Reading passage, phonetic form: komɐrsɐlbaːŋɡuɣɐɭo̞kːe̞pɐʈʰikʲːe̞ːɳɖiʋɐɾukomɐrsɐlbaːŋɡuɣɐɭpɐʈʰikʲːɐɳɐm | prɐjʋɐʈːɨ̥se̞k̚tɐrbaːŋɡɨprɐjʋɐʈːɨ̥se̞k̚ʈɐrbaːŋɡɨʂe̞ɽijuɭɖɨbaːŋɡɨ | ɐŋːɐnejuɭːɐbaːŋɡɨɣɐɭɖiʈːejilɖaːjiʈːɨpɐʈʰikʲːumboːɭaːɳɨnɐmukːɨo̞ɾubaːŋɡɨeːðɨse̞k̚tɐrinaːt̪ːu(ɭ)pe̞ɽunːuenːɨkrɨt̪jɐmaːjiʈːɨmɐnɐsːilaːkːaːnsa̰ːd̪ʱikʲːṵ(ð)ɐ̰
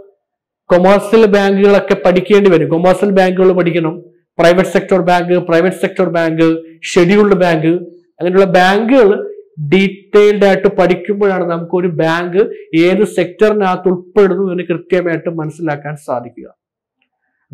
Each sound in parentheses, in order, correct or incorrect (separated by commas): correct, incorrect